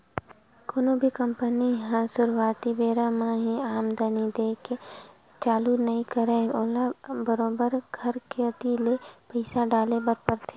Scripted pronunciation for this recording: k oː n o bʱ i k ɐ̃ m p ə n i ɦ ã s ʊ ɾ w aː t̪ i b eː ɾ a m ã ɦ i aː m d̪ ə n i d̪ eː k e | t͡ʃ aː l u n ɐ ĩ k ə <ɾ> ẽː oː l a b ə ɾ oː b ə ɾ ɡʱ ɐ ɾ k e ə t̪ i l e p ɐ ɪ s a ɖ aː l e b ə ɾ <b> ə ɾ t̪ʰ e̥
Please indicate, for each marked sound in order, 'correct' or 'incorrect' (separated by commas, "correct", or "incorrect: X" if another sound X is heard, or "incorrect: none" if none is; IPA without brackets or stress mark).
correct, incorrect: p